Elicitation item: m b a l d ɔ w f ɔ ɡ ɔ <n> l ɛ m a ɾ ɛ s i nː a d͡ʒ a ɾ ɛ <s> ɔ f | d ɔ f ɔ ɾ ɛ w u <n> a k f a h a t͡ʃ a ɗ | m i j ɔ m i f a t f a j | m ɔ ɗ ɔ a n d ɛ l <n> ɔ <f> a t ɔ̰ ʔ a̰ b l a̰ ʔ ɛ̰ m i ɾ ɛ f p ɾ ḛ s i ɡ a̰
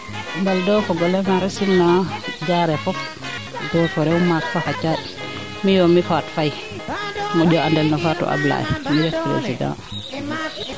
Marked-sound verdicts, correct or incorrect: incorrect: none, incorrect: f, incorrect: m, correct, correct

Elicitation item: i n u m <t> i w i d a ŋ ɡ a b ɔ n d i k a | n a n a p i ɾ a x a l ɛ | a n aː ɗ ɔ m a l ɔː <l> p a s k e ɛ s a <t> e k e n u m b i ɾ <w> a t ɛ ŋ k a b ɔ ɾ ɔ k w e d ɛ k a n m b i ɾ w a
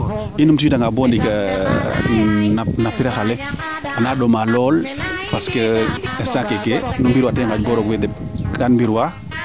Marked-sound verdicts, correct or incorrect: correct, correct, incorrect: k, correct

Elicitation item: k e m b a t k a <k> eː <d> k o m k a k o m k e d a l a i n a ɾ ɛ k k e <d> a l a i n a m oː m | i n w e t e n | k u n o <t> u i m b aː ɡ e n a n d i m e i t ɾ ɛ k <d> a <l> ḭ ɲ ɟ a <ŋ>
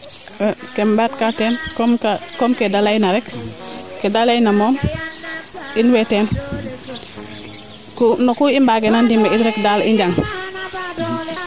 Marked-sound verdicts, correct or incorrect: incorrect: t, incorrect: n, correct, incorrect: k, correct, correct, correct

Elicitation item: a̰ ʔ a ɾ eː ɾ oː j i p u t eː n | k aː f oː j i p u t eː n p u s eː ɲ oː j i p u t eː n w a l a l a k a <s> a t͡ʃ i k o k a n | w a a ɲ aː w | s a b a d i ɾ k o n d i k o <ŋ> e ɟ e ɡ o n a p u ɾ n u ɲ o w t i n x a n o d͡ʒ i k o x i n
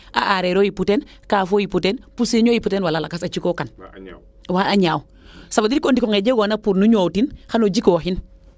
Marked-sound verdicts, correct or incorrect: correct, correct

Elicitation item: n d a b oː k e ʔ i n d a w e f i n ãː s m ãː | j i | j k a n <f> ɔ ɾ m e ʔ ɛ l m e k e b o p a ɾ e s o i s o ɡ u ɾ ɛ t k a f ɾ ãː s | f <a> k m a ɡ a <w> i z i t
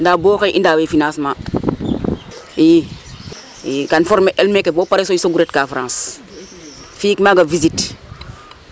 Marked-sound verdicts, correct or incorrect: correct, incorrect: i, incorrect: v

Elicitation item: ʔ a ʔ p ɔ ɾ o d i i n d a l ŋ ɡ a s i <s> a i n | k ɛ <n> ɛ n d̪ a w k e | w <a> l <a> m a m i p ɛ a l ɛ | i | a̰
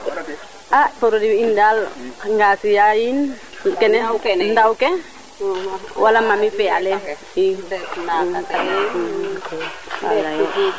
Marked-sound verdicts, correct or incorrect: incorrect: none, correct, correct, correct

